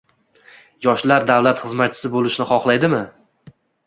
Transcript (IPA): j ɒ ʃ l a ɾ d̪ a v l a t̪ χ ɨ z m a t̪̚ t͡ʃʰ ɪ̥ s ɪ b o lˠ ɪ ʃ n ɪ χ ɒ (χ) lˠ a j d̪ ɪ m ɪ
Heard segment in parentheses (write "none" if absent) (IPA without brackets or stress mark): χ